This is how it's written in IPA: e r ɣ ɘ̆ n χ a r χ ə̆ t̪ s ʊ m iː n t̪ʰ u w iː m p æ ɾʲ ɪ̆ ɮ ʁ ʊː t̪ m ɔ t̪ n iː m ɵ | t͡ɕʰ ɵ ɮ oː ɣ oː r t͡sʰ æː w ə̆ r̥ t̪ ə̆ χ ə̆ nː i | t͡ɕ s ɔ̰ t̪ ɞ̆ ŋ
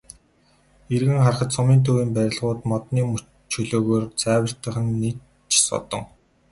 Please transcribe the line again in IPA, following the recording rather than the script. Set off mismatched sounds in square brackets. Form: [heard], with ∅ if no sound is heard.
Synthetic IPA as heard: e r ɣ ɘ̆ [ŋ] χ a r χ ə̆ t̪ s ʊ m iː n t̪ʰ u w iː m p æ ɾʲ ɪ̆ ɮ ʁ ʊː t̪ m ɔ t̪ n iː m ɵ | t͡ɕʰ ɵ ɮ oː ɣ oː r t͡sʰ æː w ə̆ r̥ t̪ ə̆ χ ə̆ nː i | t͡ɕ s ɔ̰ t̪ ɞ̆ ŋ